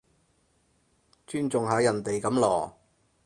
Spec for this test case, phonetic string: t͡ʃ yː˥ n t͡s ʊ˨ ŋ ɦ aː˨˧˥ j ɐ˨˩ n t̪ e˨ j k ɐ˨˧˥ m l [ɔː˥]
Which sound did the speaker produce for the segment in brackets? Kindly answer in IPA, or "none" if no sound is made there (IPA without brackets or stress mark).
ɔː˨˩